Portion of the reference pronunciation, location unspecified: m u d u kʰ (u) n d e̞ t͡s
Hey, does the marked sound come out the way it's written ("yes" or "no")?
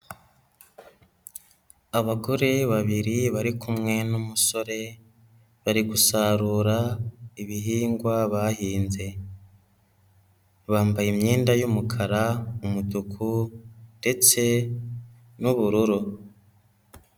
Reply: yes